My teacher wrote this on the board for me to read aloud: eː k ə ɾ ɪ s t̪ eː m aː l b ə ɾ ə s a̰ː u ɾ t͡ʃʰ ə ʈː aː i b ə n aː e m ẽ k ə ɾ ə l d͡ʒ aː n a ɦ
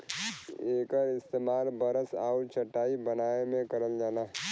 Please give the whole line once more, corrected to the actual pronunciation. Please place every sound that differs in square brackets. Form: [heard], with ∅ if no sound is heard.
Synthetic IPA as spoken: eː k ə ɾ ɪ s t̪ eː m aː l b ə ɾ ə s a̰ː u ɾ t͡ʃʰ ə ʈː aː i b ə n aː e m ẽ k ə ɾ ə l d͡ʒ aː n a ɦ

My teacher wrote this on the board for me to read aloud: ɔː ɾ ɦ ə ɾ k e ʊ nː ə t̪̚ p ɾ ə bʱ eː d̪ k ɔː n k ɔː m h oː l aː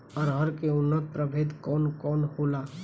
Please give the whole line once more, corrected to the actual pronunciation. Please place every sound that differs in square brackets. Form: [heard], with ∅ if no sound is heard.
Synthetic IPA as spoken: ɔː ɾ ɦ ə ɾ k e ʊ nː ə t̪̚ p ɾ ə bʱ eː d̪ k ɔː n k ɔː [n] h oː l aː

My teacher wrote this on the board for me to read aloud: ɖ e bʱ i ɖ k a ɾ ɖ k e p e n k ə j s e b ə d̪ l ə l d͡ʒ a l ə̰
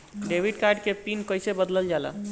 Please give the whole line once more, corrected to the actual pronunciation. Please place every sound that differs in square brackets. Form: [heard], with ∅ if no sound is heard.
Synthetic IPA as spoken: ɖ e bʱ i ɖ k a ɾ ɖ k e p [i] n k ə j s e b ə d̪ l ə l d͡ʒ a l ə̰

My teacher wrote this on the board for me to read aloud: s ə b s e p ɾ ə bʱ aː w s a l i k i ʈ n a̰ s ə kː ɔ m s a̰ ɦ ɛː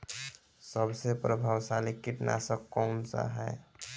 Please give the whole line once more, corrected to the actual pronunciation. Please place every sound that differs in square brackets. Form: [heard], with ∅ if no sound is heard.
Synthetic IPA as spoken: s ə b s e p ɾ ə bʱ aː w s a l i k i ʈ n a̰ s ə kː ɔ m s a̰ ɦ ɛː

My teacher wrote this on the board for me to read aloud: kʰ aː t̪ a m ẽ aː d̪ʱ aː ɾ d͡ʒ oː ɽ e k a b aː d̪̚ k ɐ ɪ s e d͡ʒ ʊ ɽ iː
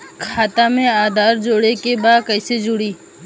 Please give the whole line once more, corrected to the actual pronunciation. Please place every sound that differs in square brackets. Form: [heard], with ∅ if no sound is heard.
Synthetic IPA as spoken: kʰ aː t̪ a m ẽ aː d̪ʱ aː ɾ d͡ʒ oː ɽ e k [e] b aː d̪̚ k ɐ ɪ s e d͡ʒ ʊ ɽ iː

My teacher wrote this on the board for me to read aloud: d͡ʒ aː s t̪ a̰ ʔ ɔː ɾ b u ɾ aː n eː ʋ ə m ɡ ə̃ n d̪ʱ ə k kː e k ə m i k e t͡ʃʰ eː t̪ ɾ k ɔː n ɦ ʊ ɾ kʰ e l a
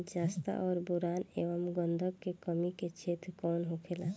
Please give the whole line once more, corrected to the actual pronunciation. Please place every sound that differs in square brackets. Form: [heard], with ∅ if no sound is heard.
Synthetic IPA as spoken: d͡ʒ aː s t̪ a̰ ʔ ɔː ɾ b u ɾ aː n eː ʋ ə m ɡ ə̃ n d̪ʱ ə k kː e k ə m i k e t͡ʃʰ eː t̪ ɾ k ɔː n ɦ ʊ [∅] kʰ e l a

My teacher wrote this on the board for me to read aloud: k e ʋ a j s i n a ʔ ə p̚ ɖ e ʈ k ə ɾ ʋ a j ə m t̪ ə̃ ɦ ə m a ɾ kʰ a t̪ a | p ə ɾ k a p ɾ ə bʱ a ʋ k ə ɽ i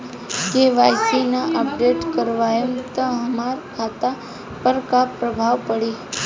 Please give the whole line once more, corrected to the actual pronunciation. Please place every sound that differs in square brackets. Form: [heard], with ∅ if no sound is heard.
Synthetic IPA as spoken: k e ʋ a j s i n a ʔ ə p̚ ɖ e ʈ k ə ɾ ʋ a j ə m t̪ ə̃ ɦ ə m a ɾ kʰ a t̪ a | p ə ɾ k a p ɾ ə bʱ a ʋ [p] ə ɽ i

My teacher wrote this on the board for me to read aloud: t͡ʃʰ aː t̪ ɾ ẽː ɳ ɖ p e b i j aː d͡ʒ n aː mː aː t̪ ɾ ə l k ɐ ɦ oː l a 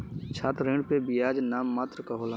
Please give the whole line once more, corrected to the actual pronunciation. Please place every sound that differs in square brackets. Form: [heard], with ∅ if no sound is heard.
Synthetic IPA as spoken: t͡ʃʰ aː t̪ ɾ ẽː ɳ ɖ p e b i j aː d͡ʒ n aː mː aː t̪ ɾ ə [∅] k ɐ ɦ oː l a

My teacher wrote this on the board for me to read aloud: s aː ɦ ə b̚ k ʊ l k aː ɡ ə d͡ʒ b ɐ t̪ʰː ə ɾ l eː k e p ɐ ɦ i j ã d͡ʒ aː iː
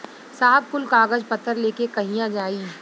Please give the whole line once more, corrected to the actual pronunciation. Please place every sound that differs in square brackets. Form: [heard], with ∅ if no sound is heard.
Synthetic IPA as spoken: s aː ɦ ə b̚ k ʊ l k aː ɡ ə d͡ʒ [p] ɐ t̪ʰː ə ɾ l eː k e [k] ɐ ɦ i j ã d͡ʒ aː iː

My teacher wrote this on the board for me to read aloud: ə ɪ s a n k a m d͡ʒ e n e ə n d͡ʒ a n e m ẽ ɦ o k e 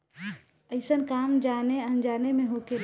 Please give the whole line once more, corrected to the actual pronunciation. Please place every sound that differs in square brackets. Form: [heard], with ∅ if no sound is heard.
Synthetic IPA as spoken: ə ɪ s [ə] n k a m d͡ʒ [a] n e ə n d͡ʒ a n e m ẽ ɦ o k e

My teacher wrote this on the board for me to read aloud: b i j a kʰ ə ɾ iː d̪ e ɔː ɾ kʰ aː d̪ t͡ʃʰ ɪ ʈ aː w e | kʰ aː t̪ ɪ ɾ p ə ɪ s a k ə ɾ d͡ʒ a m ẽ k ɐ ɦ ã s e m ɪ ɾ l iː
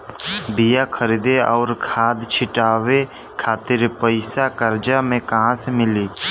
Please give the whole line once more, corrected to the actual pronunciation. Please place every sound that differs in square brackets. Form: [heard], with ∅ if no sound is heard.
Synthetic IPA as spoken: b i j a kʰ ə ɾ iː d̪ e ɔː ɾ kʰ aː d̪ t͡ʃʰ ɪ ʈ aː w e | kʰ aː t̪ ɪ ɾ p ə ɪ s a k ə ɾ d͡ʒ a m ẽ k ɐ ɦ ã s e m ɪ [∅] l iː

